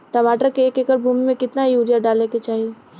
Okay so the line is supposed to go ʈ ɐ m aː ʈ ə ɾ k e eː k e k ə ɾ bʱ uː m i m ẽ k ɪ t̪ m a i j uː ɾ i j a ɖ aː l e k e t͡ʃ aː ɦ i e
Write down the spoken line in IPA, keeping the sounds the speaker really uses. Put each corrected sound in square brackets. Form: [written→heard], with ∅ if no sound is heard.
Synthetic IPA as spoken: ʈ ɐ m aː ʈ ə ɾ k e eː k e k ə ɾ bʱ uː m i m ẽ k ɪ t̪ [m→n] a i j uː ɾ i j a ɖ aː l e k e t͡ʃ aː ɦ i e